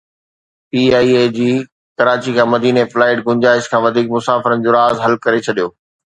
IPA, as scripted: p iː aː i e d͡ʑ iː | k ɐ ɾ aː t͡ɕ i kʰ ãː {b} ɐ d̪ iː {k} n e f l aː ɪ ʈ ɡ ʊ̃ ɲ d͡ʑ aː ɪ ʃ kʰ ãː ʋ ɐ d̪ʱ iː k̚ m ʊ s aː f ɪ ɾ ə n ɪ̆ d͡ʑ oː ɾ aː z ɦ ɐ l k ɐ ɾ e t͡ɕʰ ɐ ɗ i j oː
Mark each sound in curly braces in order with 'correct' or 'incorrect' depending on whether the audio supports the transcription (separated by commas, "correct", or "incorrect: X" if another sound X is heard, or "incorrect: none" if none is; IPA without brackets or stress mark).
incorrect: m, incorrect: none